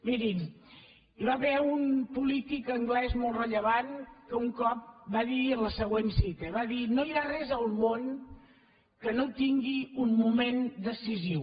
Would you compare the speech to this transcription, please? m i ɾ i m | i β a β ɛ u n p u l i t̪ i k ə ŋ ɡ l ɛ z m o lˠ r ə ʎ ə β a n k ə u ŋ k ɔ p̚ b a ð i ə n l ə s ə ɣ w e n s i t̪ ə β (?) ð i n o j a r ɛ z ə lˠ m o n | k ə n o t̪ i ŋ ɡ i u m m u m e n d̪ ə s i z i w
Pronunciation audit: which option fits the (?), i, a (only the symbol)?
a